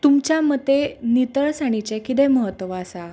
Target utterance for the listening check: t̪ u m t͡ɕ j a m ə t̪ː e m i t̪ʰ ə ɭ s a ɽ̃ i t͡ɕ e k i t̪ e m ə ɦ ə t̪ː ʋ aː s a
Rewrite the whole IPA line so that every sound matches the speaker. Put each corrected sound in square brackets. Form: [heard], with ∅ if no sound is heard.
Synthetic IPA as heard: t̪ u m t͡ɕ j a m ə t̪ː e [n] i [t̪] ə ɭ s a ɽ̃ i t͡ɕ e k i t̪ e m ə ɦ ə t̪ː ʋ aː s a